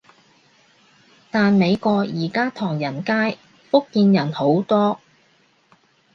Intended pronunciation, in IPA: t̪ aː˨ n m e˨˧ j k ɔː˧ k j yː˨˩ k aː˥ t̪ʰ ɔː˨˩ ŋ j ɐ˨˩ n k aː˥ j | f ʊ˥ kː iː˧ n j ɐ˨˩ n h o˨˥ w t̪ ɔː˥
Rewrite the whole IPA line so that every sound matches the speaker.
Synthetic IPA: t̪ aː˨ n m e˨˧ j k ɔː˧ k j iː˨˩ k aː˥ t̪ʰ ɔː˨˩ ŋ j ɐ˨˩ n k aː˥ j | f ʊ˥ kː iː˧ n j ɐ˨˩ n h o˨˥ w t̪ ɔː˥